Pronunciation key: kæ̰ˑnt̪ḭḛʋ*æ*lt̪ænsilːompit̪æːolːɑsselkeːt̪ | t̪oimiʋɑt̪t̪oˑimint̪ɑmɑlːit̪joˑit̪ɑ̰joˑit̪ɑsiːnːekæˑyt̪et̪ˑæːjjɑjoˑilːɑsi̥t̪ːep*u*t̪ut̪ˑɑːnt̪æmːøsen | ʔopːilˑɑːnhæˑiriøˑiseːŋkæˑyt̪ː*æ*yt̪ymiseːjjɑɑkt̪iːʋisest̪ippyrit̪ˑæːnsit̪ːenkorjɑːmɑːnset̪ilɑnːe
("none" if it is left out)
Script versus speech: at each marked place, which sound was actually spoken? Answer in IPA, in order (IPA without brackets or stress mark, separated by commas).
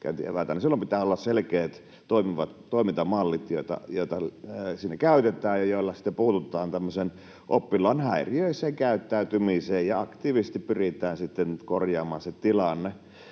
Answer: æ, uː, æ